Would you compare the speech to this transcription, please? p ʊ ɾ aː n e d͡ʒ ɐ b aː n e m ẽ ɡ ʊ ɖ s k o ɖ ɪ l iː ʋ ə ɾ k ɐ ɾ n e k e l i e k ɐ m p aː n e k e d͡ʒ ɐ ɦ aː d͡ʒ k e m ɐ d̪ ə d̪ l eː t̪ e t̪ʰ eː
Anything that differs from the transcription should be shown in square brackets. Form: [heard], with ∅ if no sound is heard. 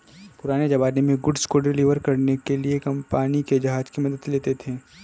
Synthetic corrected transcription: p ʊ ɾ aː n e d͡ʒ ɐ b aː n e m ẽ ɡ ʊ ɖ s k o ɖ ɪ l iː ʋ ə ɾ k ɐ ɾ n e k e l i e k ɐ m p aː n [i] k e d͡ʒ ɐ ɦ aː d͡ʒ k [i] m ɐ d̪ ə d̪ l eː t̪ e t̪ʰ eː